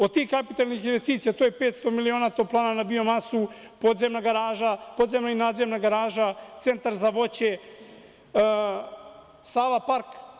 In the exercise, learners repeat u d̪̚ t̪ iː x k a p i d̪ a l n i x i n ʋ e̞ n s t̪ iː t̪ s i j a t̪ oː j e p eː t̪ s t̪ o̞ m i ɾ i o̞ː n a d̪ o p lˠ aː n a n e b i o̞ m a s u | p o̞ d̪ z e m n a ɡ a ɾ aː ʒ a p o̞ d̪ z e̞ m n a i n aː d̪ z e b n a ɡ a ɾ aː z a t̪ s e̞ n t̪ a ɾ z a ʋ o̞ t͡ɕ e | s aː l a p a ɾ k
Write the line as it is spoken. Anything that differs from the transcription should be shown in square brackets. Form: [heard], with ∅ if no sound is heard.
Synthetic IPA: [o] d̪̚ t̪ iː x k a p i [t̪] a l n i x i n ʋ e̞ [∅] s t̪ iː t̪ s i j a t̪ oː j e p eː t̪ s t̪ o̞ m i [l] i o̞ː n a [t̪] o p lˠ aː n a n [a] b i o̞ m a s u | p o̞ d̪ z e m n a ɡ a ɾ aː ʒ a p o̞ d̪ z e̞ m n a i n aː d̪ z e [m] n a ɡ a ɾ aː [ʒ] a t̪ s e̞ n t̪ a ɾ z a ʋ o̞ t͡ɕ e | s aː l a p a ɾ k